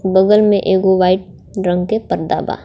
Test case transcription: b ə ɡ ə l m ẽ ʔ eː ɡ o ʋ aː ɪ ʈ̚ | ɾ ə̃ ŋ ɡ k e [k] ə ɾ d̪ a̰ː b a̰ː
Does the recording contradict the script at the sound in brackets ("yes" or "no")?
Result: yes